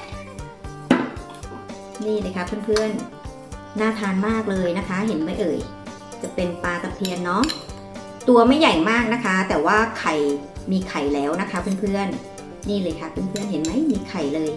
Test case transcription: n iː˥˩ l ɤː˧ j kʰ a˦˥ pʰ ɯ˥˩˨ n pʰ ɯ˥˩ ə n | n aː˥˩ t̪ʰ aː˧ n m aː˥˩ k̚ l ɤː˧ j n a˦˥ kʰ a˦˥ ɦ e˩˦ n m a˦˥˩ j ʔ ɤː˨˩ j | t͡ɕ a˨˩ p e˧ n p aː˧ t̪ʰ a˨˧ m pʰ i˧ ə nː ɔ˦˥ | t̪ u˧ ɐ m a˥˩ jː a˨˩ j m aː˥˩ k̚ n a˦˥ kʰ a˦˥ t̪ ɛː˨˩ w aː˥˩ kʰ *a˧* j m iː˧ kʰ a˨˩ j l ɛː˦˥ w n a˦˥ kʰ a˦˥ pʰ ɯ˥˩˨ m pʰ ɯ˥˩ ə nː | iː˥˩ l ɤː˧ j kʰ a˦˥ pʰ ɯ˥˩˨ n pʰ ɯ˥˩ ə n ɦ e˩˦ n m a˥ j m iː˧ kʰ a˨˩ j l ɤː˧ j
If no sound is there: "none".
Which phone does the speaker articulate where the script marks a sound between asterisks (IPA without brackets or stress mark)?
a˨˩